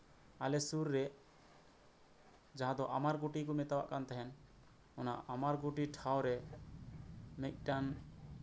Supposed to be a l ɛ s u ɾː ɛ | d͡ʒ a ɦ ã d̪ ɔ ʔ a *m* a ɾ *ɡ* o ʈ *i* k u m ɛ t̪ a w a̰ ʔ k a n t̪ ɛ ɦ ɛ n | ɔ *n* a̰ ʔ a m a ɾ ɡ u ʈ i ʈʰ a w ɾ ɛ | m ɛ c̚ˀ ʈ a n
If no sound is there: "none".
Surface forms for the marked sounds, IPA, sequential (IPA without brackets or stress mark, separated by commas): m, ɡ, i, n